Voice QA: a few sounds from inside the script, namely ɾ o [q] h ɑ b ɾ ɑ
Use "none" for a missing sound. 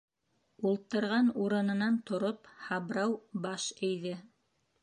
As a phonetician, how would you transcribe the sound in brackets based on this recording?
p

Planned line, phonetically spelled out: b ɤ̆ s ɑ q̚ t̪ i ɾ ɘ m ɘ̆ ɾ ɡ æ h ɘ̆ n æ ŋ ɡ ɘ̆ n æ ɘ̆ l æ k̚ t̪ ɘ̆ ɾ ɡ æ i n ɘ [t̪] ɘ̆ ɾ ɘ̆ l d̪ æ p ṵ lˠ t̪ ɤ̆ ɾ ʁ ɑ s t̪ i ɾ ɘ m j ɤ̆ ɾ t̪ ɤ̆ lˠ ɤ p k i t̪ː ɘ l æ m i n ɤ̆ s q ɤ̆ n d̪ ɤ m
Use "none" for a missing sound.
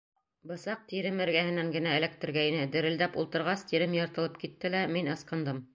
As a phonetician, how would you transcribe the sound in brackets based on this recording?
d̪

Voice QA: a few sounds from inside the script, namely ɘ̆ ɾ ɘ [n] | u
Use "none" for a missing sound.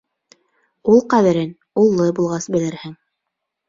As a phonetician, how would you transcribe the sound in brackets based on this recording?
n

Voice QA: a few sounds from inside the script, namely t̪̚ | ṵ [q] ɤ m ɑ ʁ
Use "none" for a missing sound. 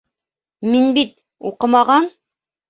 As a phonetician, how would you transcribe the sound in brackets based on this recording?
q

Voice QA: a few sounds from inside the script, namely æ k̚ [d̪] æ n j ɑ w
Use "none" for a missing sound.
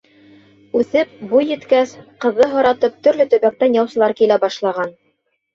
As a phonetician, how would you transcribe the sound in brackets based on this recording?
t̪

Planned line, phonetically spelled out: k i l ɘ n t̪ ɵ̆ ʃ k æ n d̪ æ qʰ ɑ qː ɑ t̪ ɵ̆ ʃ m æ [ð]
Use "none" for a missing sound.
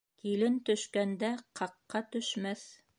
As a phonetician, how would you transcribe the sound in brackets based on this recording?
θ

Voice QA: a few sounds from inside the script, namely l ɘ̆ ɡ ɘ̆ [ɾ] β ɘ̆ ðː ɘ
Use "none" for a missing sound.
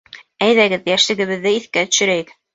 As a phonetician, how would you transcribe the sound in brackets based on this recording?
none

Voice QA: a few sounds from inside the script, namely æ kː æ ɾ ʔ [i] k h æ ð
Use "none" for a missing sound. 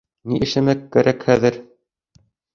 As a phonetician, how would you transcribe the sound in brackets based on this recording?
æ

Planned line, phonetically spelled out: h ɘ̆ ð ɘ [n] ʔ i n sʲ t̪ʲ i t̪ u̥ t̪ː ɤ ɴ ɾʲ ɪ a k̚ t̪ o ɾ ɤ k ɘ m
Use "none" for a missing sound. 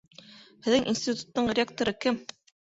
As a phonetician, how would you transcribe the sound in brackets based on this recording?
ŋ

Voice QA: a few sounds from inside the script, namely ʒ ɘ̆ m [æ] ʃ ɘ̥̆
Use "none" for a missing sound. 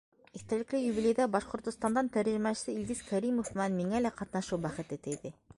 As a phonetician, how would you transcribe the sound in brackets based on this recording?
æ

